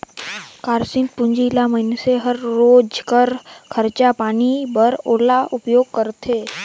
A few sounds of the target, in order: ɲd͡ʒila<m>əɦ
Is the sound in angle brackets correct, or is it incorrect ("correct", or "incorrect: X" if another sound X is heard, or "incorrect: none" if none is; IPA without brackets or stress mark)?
correct